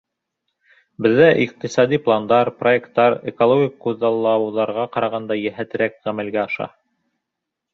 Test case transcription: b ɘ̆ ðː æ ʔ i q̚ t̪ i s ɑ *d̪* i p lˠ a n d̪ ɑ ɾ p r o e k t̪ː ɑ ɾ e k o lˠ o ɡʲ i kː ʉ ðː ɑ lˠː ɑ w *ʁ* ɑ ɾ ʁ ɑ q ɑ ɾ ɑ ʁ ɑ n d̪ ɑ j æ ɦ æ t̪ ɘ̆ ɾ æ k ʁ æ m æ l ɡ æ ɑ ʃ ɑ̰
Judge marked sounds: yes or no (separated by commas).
yes, no